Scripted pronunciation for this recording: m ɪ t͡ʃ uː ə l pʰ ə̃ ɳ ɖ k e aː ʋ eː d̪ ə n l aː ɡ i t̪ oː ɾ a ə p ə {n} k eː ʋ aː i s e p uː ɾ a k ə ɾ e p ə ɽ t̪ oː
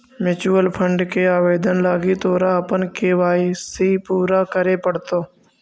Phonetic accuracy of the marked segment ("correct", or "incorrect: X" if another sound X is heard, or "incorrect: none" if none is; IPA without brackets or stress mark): correct